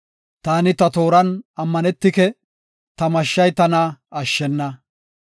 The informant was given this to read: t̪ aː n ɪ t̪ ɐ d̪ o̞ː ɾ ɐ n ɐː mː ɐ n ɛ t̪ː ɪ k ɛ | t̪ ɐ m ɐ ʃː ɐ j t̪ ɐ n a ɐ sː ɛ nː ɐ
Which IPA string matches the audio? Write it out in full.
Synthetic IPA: t̪ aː n ɪ t̪ ɐ t̪ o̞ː ɾ ɐ n ɐ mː ɐ n ɛ t̪ː ɪ k ɛ | t̪ ɐ m ɐ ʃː ɐ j t̪ ɐ n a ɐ ʃː ɛ nː ɐ